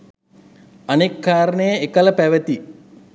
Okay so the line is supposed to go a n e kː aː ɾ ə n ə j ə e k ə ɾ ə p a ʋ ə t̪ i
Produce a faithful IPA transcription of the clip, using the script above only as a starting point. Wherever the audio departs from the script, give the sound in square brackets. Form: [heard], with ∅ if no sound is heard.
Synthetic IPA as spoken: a n e kː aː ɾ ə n ə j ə e k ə [l] ə p [æ] ʋ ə t̪ i

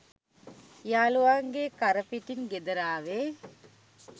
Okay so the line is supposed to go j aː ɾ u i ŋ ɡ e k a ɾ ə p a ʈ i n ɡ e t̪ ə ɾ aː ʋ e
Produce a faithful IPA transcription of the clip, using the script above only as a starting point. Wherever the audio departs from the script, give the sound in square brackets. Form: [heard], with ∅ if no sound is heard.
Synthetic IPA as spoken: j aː [l] u [a] ŋ ɡ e k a ɾ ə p [i] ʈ i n ɡ e [d̪] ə ɾ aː ʋ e

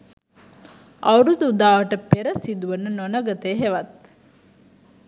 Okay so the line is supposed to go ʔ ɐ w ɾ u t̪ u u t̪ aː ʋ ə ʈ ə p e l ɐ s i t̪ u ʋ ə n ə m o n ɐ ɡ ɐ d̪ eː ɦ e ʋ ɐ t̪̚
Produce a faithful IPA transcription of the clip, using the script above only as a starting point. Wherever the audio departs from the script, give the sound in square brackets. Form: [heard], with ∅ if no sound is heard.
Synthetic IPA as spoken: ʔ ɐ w ɾ u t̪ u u [d̪] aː ʋ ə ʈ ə p e [ɾ] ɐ s i [d̪] u ʋ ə n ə [n] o n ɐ ɡ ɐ [t̪] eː ɦ e ʋ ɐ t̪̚

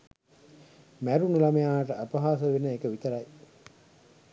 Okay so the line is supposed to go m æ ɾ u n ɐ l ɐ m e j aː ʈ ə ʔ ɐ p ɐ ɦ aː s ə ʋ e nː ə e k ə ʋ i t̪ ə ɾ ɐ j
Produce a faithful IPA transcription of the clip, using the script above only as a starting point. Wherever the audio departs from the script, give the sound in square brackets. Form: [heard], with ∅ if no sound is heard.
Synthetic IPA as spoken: m æ ɾ u n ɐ l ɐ m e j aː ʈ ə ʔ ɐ p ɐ ɦ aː s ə ʋ e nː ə e k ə ʋ i t̪ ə ɾ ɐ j

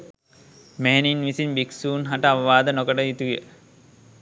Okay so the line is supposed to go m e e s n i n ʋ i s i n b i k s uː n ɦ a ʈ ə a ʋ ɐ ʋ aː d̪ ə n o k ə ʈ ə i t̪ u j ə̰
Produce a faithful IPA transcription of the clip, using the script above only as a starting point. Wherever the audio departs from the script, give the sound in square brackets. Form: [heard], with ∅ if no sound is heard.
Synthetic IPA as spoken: m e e [∅] n i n ʋ i s i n b i k s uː n ɦ a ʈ ə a ʋ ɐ ʋ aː d̪ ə n o k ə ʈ ə i t̪ u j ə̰

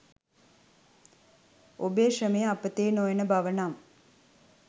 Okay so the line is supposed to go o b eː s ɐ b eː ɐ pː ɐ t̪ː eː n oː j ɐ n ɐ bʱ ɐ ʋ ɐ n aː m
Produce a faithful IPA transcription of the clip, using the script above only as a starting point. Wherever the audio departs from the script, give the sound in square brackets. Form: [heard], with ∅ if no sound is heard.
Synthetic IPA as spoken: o b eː [ʂ] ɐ [m] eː ɐ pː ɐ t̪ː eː n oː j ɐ n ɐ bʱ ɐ ʋ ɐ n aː m

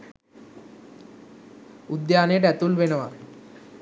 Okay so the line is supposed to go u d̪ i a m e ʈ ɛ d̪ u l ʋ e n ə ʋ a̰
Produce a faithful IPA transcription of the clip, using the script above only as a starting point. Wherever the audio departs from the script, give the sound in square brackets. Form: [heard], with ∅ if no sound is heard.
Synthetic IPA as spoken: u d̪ [j] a [n] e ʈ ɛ [t̪] u l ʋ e n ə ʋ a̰

